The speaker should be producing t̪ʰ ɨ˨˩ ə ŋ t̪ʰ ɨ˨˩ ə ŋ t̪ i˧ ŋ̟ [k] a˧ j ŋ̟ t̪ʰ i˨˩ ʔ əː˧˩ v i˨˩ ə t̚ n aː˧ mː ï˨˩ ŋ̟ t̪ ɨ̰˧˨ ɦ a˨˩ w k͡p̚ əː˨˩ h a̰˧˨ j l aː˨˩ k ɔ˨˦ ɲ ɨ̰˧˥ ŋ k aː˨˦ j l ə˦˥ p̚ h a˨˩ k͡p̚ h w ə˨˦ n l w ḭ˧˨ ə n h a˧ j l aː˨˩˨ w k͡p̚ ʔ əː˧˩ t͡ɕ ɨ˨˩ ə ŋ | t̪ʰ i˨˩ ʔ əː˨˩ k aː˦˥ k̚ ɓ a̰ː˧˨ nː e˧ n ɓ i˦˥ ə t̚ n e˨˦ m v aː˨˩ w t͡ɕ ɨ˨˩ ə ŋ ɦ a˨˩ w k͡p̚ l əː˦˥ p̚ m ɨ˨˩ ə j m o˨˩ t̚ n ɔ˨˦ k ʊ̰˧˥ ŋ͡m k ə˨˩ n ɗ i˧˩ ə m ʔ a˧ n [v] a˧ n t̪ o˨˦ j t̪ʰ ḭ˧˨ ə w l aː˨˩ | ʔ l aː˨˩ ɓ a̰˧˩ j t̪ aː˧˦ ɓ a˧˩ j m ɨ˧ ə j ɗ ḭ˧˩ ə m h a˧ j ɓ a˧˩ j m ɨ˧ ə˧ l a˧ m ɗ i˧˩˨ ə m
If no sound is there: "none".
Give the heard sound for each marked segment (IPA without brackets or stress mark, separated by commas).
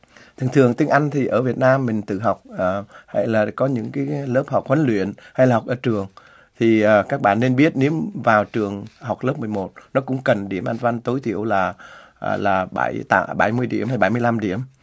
ʔ, v